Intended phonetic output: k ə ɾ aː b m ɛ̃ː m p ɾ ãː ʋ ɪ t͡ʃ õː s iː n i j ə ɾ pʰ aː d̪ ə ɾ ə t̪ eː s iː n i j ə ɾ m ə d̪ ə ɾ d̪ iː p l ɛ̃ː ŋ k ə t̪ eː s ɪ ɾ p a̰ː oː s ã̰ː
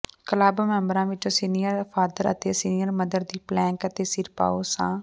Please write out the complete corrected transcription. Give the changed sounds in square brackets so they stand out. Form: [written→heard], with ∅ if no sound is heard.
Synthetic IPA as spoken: k ə [ɾ→l] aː b m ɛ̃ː m [p→b] ɾ ãː ʋ ɪ t͡ʃ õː s iː n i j ə ɾ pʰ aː d̪ ə ɾ ə t̪ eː s iː n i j ə ɾ m ə d̪ ə ɾ d̪ iː p l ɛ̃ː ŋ k ə t̪ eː s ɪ ɾ p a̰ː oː s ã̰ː